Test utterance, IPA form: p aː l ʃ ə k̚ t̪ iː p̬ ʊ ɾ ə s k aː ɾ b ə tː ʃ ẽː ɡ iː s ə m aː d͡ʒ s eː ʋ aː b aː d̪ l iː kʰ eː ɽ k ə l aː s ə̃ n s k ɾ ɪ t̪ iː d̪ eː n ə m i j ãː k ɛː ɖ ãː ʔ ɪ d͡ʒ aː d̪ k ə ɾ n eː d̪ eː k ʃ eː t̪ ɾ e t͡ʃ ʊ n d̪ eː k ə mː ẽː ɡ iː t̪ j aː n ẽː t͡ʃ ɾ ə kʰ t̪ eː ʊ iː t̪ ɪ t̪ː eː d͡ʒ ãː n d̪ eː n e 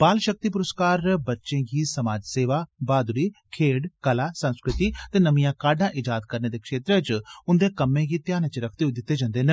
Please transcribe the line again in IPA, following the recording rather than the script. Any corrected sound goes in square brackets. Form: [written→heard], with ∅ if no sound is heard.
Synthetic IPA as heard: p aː l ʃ ə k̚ t̪ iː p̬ ʊ ɾ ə s k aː ɾ b ə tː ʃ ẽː ɡ iː s ə m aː d͡ʒ s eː ʋ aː b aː d̪ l iː kʰ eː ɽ k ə l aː s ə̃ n s k ɾ ɪ t̪ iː [d̪→t̪] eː n ə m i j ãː k [ɛː→aː] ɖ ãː ʔ ɪ d͡ʒ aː d̪ k ə ɾ n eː d̪ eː k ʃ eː t̪ ɾ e t͡ʃ ʊ n d̪ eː k ə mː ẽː ɡ iː t̪ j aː n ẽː t͡ʃ ɾ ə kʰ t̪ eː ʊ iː [t̪→d̪] ɪ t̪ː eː d͡ʒ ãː n d̪ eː n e